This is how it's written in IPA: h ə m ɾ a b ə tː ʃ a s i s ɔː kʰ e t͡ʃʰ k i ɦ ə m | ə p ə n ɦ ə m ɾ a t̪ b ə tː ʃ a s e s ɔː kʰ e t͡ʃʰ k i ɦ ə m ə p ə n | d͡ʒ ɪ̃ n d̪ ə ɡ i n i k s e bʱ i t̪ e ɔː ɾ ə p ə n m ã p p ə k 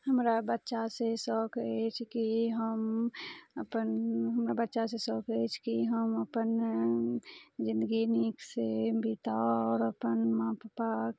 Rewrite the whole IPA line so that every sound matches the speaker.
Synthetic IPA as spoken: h ə m ɾ a b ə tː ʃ a s e s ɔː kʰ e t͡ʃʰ k i ɦ ə m | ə p ə n ɦ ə m ɾ a b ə tː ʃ a s e s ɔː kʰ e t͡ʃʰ k i ɦ ə m ə p ə n | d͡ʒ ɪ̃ n d̪ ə ɡ i n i k s e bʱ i t̪ a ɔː ɾ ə p ə n m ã p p a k